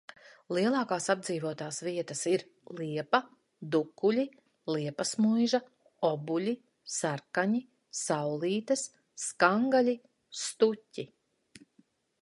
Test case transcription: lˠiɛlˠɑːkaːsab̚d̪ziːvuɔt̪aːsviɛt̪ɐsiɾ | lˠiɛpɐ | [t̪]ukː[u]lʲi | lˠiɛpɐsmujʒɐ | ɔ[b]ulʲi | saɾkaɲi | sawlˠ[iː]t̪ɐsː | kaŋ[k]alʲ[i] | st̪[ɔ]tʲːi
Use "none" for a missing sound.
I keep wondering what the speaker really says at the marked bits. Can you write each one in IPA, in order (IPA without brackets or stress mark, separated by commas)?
d̪, u, b, iː, ɡ, i, u